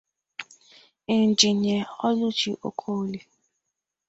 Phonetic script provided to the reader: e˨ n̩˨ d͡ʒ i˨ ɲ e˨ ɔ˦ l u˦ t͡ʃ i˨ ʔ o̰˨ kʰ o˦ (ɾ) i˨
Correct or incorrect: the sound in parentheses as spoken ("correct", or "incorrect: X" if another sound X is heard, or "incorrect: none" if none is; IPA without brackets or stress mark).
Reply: incorrect: l